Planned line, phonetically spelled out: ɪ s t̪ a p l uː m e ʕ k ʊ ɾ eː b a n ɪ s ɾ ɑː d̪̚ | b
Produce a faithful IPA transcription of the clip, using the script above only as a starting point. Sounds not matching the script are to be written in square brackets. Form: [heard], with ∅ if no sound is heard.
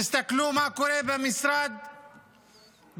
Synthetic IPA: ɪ s t̪ a [k] l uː m [a] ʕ k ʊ ɾ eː b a [m] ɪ s ɾ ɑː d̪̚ | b